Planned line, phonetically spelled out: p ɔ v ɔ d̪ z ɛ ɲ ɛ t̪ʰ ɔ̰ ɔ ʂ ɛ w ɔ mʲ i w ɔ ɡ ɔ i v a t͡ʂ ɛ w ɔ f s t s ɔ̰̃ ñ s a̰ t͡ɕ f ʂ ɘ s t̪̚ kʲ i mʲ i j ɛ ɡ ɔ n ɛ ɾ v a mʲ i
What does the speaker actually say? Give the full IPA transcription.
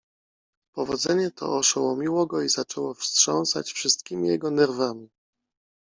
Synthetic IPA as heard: p ɔ v ɔ d̪ z ɛ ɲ ɛ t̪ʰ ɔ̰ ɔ ʂ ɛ w ɔ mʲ i w ɔ ɡ ɔ i z a t͡ʂ ɛ w ɔ f s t ʂ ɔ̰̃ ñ s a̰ t͡ɕ f ʂ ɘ s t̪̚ kʲ i mʲ i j ɛ ɡ ɔ n ɛ ɾ v a mʲ i